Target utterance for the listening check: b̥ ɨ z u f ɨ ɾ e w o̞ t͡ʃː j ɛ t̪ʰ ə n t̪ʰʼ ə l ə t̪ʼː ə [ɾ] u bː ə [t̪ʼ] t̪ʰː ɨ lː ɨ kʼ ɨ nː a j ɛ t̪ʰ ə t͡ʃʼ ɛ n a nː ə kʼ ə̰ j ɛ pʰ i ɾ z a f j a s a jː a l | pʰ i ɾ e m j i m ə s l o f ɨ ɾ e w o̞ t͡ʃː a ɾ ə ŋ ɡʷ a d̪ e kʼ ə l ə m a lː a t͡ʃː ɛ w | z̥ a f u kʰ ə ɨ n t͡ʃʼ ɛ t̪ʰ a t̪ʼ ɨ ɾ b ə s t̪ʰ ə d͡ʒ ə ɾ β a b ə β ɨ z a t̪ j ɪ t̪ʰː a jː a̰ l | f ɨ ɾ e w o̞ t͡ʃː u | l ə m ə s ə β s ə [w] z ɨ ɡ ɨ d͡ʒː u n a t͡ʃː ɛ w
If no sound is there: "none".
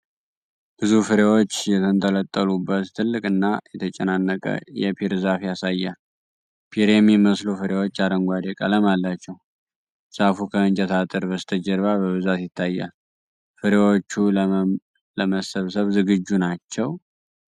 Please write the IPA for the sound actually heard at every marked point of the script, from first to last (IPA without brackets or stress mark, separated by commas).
l, t̪, β